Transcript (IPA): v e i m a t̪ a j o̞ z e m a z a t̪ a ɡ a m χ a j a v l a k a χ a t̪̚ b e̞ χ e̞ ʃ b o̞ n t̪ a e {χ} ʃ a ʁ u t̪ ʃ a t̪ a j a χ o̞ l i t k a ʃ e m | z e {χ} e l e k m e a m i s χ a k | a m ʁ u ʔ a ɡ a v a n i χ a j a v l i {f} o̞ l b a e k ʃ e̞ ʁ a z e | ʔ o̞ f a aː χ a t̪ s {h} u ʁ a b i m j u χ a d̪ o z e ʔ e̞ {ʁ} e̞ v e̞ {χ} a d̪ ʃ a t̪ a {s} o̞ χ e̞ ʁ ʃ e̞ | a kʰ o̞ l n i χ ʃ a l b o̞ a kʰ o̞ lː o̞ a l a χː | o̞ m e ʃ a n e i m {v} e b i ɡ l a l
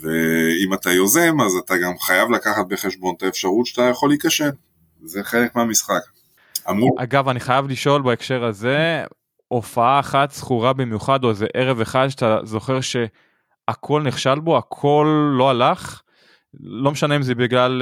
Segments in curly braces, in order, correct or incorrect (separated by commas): incorrect, correct, incorrect, incorrect, correct, correct, incorrect, incorrect